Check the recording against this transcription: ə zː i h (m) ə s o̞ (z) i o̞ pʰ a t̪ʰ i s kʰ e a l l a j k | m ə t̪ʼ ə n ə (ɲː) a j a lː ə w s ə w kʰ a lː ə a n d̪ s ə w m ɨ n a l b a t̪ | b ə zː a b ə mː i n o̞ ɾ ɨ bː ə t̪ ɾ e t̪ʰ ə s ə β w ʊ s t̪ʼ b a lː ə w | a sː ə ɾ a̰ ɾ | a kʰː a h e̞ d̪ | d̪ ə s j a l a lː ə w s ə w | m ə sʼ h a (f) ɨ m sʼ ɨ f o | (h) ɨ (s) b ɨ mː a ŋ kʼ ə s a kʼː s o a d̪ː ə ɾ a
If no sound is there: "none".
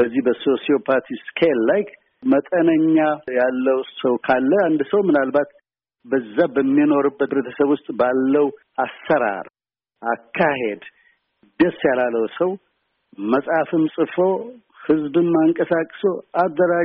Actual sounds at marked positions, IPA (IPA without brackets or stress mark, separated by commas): b, s, ɲː, f, h, z